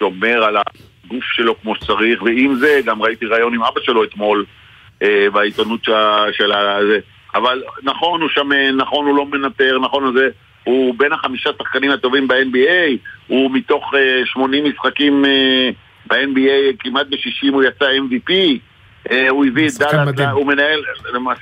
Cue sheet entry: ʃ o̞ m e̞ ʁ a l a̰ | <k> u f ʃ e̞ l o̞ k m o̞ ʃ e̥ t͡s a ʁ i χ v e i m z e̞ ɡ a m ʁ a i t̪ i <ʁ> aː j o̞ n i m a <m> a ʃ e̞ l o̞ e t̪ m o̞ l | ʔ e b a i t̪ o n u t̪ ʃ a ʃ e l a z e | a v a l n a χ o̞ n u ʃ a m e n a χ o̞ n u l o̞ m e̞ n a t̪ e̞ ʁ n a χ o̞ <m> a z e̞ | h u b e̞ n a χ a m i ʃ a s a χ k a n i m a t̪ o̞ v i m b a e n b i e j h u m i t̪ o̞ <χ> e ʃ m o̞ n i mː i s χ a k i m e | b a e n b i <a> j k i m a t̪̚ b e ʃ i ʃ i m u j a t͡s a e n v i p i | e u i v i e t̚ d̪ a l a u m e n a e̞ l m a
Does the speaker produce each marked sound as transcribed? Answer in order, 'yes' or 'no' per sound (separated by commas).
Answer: no, yes, no, no, yes, no